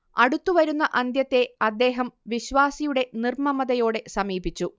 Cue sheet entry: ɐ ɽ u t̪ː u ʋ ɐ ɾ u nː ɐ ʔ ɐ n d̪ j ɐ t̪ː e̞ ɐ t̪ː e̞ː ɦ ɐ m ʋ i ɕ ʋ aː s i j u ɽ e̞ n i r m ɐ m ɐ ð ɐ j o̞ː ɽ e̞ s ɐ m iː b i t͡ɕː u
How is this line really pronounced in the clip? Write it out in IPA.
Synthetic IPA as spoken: ɐ ɽ u t̪ː u ʋ ɐ ɾ u nː ɐ ʔ ɐ n d̪ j ɐ t̪ː e̞ ɐ d̪ː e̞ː ɦ ɐ m ʋ i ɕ ʋ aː s i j u ɽ e̞ n i r m ɐ m ɐ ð ɐ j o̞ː ɽ e̞ s ɐ m iː b i t͡ɕː u